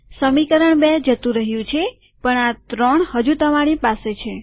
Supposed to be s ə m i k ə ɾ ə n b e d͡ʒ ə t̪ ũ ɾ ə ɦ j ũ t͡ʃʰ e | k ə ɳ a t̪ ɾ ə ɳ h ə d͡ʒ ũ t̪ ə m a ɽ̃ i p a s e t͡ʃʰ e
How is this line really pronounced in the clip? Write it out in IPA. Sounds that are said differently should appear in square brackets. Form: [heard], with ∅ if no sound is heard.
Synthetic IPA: s ə m i k ə ɾ ə [ɳ] b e d͡ʒ ə t̪ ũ ɾ ə ɦ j ũ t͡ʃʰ e | [p] ə ɳ a t̪ ɾ ə ɳ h ə d͡ʒ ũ t̪ ə m a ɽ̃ i p a s e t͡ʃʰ e